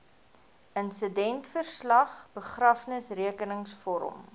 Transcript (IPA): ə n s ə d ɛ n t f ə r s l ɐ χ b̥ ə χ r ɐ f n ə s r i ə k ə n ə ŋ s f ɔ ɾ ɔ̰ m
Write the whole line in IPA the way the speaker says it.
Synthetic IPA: ə n s ə d ɛ n t f ə r s l ɐ χ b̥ ə χ r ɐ f n ə s r i ə k ə n ə ŋ s f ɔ ɾ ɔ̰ m